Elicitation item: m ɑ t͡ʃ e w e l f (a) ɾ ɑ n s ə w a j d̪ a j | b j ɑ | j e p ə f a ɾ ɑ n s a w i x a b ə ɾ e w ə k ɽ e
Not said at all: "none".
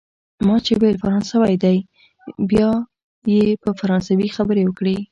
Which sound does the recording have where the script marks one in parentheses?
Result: a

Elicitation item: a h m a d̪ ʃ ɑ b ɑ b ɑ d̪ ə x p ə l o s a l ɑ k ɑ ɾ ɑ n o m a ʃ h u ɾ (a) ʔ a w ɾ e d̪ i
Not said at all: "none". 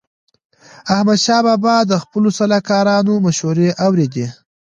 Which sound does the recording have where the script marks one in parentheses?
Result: e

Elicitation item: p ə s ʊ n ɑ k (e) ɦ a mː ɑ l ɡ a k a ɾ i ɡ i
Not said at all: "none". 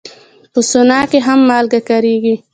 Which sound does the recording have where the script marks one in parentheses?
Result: e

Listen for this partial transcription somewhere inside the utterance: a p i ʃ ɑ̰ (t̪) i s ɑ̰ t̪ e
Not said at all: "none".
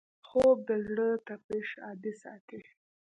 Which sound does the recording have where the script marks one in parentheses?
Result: d̪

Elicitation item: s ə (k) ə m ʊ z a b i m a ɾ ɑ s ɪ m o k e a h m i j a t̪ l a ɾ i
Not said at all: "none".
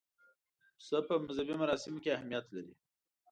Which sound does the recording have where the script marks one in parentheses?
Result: p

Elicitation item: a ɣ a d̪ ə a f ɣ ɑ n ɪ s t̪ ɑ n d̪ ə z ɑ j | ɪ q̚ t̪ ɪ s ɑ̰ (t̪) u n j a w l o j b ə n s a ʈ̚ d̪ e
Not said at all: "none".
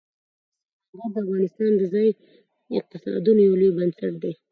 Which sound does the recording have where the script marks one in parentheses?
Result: d̪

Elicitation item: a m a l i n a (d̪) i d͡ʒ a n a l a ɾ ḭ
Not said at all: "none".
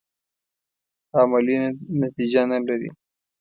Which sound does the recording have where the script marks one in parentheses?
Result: t̪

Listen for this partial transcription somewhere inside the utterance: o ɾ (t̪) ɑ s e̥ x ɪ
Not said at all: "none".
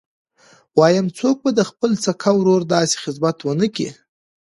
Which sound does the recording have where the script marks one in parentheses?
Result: d̪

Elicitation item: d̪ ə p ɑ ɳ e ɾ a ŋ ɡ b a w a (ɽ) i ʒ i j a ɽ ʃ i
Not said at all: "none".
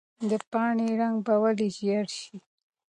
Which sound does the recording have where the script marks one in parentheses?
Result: l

